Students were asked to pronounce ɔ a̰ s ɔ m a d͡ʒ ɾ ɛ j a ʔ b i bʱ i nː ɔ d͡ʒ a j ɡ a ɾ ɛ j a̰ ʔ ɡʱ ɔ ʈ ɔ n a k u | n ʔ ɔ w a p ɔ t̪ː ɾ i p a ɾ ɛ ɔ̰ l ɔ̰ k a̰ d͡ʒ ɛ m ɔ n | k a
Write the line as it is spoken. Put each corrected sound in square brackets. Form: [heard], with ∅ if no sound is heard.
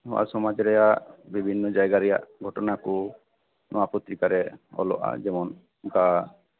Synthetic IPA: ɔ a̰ s ɔ m a d͡ʒ ɾ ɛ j a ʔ b i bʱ i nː ɔ d͡ʒ a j ɡ a ɾ ɛ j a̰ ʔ ɡʱ ɔ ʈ ɔ n a k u | n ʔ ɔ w a p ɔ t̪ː ɾ i [k] a ɾ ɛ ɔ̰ l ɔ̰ [ʔ] a̰ d͡ʒ ɛ m ɔ n | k a